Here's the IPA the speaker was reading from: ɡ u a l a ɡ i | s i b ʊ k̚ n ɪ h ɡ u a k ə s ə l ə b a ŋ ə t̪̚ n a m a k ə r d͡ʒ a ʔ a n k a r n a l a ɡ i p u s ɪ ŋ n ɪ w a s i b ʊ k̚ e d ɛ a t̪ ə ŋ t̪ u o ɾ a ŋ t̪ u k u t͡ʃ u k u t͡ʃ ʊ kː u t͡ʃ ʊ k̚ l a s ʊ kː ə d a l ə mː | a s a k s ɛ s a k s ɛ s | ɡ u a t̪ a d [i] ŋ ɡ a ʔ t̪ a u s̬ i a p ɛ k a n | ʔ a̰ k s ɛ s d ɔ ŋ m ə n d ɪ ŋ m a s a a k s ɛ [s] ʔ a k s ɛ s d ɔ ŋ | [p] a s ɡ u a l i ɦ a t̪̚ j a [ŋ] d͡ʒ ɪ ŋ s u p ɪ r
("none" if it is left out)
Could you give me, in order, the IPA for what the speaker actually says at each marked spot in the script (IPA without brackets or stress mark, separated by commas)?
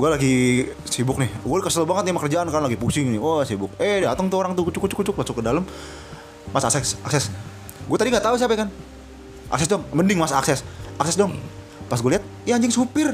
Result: i, s, p, ɲ